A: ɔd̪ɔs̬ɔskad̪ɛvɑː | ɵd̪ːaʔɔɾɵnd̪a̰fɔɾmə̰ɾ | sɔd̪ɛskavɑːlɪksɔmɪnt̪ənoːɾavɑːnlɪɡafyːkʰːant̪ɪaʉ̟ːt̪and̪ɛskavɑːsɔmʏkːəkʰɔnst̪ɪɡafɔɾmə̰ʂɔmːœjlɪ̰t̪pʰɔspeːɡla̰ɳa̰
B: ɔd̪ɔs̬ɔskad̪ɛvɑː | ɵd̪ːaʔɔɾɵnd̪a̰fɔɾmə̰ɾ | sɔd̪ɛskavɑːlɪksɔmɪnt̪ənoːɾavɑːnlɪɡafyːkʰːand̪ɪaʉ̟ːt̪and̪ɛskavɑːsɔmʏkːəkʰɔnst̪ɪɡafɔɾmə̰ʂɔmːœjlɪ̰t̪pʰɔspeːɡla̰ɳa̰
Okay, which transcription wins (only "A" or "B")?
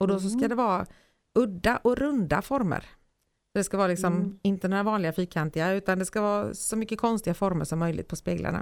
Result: A